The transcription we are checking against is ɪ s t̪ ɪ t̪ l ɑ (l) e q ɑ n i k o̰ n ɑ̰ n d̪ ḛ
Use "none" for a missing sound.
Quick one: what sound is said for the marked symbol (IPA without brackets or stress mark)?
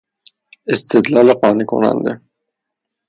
l